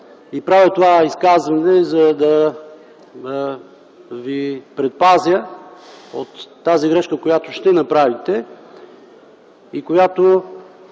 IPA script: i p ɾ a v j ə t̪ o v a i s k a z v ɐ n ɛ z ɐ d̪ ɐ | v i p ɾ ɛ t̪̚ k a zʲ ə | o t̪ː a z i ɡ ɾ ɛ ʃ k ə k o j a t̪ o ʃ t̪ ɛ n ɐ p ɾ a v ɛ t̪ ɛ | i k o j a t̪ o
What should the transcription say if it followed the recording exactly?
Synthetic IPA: i p ɾ a v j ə t̪ o v a i s k a z v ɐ n ɛ z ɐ d̪ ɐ | v i p ɾ ɛ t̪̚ p a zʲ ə | o t̪ː a z i ɡ ɾ ɛ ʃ k ə k o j a t̪ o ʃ t̪ ɛ n ɐ p ɾ a v i t̪ ɛ | i k o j a t̪ o